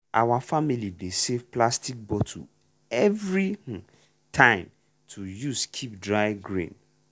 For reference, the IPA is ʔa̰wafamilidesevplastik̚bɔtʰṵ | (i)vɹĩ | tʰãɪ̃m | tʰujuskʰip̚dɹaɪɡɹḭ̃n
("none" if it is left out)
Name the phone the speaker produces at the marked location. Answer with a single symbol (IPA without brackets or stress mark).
ɛ